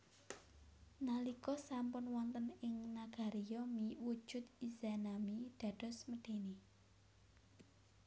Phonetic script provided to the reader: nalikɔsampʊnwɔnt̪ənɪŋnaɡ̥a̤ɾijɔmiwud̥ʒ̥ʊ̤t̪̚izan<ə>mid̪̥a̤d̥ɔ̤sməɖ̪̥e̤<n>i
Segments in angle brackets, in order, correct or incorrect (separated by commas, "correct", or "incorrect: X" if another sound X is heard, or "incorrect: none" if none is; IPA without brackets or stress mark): incorrect: a, correct